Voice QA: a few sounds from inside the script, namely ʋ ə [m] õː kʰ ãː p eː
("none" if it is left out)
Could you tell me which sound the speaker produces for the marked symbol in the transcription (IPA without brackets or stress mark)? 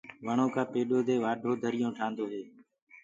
ɳ